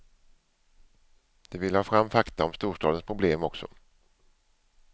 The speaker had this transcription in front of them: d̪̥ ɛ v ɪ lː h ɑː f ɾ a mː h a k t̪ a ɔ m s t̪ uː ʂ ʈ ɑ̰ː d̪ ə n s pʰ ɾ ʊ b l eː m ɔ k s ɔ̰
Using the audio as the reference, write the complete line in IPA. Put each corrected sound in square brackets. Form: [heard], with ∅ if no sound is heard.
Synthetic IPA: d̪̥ ɛ v ɪ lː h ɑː f ɾ a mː [f] a k t̪ a ɔ m s t̪ uː ʂ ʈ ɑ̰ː d̪ ə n s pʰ ɾ ʊ b l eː m ɔ k s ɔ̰